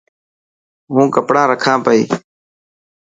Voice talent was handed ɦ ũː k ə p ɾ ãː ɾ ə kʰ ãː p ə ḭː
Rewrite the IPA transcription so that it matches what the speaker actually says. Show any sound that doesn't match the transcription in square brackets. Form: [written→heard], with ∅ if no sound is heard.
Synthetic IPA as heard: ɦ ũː k ə p [ɾ→ɽ] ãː ɾ ə kʰ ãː p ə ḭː